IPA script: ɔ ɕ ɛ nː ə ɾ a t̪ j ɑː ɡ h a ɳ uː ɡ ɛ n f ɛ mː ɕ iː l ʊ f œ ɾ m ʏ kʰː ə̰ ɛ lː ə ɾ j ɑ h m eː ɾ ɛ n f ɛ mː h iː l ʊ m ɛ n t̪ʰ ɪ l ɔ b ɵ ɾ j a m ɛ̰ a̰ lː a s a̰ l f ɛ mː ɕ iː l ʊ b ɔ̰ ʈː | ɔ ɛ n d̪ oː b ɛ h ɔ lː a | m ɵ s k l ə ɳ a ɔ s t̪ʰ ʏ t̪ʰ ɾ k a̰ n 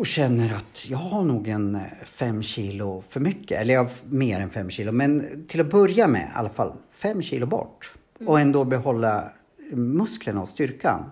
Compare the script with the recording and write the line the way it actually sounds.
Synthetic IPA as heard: ɔ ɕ ɛ nː ə ɾ a t̪ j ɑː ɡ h a ɳ uː ɡ ɛ n f ɛ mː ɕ iː l ʊ f œ ɾ m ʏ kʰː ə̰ ɛ lː ə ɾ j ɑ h m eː ɾ ɛ n f ɛ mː ɕ iː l ʊ m ɛ n t̪ʰ ɪ l ɔ b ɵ ɾ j a m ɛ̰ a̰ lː a f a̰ l f ɛ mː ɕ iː l ʊ b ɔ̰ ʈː | ɔ ɛ n d̪ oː b ɛ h ɔ lː a | m ɵ s k l ə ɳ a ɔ s t̪ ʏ ɾ k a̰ n